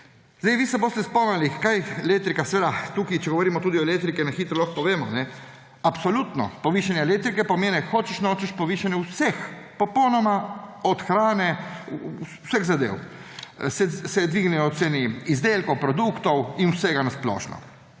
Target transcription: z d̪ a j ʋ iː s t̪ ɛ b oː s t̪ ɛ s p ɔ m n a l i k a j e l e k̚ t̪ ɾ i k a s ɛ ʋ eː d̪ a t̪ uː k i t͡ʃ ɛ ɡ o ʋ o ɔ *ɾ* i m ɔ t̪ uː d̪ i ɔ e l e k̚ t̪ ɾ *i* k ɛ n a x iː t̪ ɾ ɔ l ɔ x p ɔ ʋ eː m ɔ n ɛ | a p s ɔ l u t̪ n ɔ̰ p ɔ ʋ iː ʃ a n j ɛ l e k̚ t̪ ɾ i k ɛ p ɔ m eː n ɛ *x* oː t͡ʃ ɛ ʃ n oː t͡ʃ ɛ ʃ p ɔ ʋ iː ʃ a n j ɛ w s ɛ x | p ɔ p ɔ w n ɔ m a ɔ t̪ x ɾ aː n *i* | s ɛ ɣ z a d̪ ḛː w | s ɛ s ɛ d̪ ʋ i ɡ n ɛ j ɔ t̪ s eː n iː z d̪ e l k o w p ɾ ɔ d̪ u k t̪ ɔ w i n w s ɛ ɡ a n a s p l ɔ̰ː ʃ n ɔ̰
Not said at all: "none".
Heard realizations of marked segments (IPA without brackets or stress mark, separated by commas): ɾ, i, x, ɛ